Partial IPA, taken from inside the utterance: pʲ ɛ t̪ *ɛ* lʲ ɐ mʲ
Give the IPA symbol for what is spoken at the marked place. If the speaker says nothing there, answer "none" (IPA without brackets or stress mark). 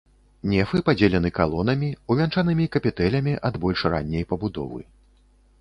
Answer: ɛ